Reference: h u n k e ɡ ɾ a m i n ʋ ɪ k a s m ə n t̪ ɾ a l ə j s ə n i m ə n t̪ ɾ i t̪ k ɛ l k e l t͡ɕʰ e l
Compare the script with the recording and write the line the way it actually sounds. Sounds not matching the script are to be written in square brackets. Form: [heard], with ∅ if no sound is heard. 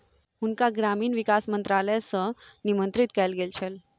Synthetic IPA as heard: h u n k [a] ɡ ɾ a m [iː] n ʋ [i] k a s m ə n t̪ ɾ a l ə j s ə n i m ə n t̪ ɾ i t̪ k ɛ l [ɡ] e l t͡ɕʰ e l